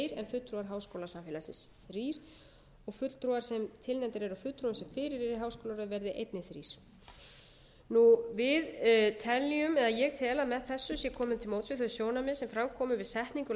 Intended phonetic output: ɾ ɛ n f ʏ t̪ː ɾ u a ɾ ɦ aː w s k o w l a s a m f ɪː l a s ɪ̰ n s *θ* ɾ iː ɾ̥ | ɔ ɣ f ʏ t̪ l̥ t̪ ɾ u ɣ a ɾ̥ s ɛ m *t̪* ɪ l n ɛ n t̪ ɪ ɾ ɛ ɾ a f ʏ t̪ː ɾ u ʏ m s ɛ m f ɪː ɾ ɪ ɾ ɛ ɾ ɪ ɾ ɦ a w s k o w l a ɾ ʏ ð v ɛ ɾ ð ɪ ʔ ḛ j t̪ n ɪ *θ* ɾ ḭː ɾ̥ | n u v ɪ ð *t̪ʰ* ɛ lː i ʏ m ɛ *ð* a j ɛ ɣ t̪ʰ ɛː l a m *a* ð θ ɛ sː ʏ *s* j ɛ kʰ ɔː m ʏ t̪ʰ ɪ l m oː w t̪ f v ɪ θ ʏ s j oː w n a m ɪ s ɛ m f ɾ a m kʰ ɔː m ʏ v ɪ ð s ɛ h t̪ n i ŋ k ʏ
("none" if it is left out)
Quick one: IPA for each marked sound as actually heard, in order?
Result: θ, t̪ʰ, θ, t̪ʰ, ð, ɛ, s

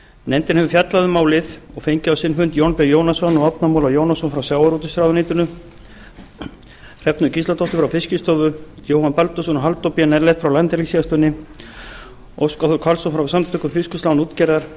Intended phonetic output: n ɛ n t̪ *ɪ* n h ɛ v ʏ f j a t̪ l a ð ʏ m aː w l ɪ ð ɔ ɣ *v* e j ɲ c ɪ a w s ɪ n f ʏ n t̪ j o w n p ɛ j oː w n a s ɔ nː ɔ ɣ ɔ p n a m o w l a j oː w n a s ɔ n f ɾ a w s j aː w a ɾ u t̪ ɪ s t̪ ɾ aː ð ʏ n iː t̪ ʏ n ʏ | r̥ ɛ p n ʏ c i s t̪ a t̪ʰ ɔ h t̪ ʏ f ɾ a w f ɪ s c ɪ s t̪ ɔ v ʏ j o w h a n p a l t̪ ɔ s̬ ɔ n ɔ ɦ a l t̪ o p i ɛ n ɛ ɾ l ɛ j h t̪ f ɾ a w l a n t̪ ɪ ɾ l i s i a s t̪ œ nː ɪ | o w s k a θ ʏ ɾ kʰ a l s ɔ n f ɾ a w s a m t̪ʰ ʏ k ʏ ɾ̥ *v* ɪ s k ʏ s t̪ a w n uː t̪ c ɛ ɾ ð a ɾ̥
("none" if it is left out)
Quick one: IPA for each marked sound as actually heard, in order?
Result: ɪ, f, f

